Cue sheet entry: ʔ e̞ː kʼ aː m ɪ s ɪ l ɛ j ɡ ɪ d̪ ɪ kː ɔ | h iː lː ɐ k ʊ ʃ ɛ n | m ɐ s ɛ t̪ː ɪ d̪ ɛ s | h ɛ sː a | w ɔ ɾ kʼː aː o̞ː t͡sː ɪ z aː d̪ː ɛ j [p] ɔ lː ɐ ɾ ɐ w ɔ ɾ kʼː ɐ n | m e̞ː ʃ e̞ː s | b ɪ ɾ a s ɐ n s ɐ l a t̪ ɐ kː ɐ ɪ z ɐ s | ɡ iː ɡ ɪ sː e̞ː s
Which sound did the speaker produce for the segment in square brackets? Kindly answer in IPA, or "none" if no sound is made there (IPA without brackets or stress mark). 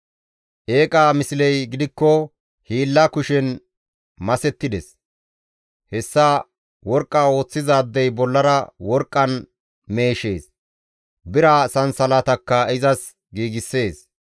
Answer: b